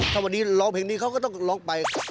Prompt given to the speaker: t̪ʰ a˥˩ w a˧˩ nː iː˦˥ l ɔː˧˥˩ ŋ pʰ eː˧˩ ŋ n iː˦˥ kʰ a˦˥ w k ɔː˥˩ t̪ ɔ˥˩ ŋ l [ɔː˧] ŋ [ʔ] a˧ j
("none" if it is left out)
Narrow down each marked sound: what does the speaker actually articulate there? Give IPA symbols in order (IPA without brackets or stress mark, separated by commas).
ɔː˦˥, p